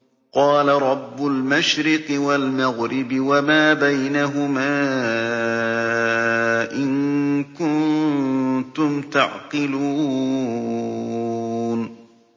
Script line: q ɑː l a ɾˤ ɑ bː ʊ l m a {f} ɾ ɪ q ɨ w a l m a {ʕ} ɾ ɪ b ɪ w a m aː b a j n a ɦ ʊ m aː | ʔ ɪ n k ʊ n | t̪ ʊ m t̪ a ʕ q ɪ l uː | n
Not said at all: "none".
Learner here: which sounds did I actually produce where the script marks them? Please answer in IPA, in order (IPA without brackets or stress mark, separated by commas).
ʃ, ɣ